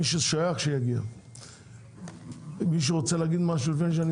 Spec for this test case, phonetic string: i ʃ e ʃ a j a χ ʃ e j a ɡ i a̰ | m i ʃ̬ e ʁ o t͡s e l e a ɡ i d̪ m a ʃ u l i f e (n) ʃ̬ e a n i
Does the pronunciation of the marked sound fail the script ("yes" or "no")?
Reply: no